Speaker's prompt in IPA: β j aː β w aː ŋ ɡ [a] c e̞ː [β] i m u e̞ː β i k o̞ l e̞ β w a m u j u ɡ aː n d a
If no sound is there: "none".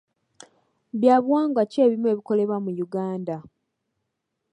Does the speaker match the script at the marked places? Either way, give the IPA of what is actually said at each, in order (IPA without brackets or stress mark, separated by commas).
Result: a, β